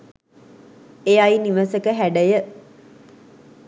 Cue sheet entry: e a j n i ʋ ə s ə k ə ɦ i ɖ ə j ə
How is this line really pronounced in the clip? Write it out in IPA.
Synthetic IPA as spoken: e a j n i ʋ ə s ə k ə ɦ æ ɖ ə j ə